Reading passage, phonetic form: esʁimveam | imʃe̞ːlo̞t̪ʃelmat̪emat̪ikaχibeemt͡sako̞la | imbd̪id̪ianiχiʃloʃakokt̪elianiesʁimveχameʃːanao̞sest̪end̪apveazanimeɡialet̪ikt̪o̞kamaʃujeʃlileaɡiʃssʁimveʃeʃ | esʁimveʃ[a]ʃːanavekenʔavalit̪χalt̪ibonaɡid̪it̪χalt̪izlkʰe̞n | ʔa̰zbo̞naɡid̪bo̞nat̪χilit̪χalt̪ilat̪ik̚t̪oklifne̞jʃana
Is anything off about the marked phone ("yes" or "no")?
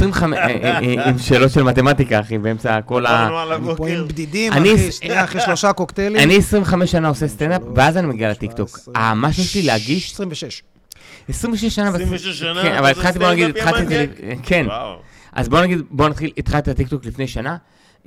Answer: yes